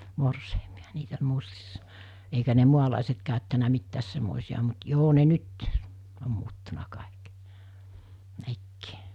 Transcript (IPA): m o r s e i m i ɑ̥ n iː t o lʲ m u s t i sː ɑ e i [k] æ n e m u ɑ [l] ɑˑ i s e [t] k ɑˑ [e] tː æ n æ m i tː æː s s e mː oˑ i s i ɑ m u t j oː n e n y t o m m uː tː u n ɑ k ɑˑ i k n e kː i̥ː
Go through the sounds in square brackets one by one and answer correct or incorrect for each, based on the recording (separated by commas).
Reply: correct, correct, correct, incorrect